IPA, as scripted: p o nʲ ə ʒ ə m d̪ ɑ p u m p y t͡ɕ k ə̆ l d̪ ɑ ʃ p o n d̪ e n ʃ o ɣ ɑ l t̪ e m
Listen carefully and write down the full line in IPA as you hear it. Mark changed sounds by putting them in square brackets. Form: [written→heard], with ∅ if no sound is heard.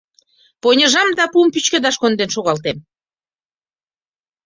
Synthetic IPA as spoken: p o nʲ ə ʒ [ə→ɑ] m d̪ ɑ p u m p y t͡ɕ k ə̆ [l→∅] d̪ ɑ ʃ [p→k] o n d̪ e n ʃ o ɣ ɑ l t̪ e m